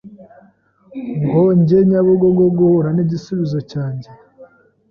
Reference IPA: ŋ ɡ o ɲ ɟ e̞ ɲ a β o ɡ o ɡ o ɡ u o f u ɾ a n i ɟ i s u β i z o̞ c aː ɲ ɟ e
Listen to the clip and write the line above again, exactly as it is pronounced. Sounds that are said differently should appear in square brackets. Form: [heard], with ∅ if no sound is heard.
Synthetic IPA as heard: ŋ ɡ o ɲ ɟ e̞ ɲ a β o ɡ o ɡ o ɡ u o [h] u ɾ a n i ɟ i s u β i z o̞ c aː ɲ ɟ e